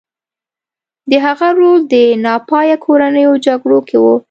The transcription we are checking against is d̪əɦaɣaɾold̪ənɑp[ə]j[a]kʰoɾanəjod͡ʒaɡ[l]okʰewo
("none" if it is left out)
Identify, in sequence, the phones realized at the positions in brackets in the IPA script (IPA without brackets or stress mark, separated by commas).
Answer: ɑ, a, ɽ